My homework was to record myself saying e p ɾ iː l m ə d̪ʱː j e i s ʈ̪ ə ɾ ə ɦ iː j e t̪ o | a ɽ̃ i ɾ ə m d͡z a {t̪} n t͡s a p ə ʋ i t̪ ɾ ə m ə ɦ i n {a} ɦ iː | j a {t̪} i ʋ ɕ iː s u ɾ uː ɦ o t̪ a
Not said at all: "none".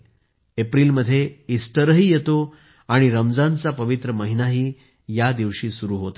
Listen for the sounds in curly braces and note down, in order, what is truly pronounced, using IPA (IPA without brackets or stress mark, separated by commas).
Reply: none, a, d̪